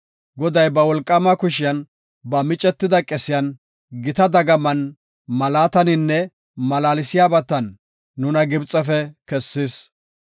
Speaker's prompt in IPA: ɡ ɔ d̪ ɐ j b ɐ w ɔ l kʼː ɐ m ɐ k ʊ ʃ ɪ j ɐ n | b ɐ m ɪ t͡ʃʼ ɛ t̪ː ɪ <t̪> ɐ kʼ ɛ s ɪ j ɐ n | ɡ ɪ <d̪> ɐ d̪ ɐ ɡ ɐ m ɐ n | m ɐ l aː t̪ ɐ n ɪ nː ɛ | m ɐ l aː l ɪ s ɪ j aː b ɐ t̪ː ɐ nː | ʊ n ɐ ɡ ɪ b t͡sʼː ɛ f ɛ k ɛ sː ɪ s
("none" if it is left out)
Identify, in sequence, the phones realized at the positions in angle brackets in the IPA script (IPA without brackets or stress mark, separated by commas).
d̪, t̪